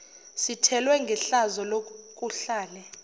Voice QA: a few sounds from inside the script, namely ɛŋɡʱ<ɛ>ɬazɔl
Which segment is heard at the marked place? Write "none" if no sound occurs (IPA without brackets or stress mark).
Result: ɛ